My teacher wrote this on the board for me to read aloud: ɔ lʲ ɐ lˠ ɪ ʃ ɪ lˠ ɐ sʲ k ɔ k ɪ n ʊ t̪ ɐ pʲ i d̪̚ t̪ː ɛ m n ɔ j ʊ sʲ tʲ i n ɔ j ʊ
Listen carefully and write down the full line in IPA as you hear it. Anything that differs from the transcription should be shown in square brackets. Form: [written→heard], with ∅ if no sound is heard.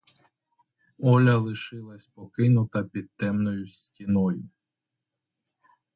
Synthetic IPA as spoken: ɔ lʲ ɐ lˠ ɪ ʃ ɪ lˠ ɐ sʲ [k→p] ɔ k ɪ n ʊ t̪ ɐ pʲ i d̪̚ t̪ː ɛ m n ɔ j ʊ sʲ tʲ i n ɔ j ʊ